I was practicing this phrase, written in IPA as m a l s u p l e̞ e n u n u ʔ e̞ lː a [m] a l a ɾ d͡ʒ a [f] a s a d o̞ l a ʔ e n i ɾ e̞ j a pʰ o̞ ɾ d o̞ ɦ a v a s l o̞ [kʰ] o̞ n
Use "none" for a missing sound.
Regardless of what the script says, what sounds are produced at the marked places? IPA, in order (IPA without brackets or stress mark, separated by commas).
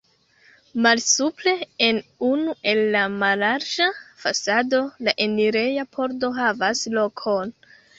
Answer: m, f, kʰ